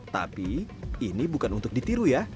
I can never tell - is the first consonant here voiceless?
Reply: yes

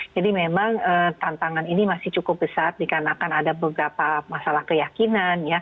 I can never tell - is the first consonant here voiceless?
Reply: no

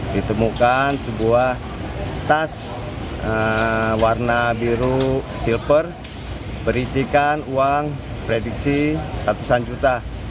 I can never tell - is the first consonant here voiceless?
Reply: no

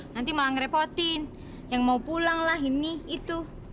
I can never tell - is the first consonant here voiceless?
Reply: no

